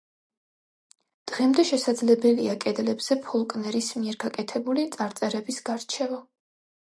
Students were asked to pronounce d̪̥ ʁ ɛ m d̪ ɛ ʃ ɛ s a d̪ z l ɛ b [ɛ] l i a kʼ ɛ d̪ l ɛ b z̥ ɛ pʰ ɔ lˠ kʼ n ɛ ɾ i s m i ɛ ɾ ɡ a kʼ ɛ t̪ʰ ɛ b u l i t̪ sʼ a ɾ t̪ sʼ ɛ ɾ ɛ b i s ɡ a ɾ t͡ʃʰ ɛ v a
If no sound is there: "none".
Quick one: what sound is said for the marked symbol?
ɛ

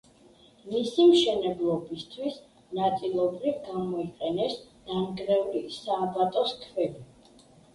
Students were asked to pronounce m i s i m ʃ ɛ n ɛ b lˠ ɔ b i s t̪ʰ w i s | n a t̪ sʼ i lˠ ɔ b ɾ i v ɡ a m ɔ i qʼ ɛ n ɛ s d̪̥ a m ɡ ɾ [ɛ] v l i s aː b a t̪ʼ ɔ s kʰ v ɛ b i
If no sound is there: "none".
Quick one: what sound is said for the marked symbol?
ɛ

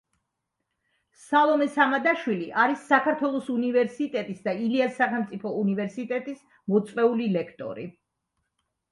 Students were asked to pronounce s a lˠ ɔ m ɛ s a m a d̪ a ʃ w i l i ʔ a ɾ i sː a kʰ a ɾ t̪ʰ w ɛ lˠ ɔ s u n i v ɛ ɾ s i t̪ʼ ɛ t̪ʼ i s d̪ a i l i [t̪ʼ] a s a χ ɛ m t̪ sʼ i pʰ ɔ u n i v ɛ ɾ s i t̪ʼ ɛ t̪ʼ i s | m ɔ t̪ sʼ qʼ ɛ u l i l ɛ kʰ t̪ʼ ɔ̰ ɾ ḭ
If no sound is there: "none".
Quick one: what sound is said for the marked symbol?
none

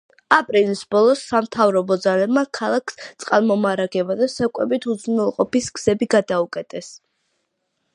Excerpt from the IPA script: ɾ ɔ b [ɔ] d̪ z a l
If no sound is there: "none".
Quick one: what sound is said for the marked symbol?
ɔ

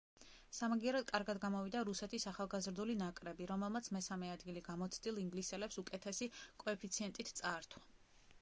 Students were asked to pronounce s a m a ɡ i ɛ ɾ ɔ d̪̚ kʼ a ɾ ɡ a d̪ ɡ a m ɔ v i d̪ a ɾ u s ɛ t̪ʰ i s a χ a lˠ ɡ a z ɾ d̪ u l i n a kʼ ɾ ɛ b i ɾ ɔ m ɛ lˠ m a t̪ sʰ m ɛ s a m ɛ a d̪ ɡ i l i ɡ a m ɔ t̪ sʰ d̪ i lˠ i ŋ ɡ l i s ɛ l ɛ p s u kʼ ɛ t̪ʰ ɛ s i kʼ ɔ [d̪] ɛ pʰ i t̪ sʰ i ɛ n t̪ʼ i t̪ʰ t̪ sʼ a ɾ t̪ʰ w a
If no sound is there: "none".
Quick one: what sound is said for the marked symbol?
none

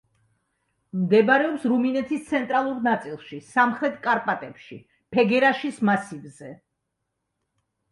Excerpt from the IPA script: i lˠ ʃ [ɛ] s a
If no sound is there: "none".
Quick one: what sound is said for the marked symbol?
i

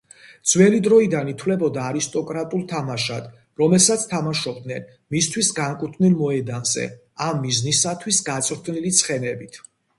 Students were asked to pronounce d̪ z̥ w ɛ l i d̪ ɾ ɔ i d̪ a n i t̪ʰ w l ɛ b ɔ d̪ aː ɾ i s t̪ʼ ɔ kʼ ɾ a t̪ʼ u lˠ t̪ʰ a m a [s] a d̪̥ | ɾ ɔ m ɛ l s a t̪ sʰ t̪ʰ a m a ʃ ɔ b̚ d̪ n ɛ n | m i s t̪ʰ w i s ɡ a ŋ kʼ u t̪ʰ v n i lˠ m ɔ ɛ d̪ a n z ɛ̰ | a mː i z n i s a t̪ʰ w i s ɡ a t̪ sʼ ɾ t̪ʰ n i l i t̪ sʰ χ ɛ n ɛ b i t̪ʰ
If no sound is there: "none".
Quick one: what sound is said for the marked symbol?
ʃ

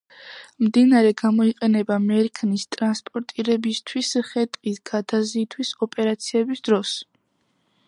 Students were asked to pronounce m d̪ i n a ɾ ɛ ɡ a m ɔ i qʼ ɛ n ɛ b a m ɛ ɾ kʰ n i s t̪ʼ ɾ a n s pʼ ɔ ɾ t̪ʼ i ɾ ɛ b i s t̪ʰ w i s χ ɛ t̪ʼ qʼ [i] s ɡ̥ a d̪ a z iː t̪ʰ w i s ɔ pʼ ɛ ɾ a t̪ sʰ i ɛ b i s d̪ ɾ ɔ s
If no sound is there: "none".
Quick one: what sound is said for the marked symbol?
i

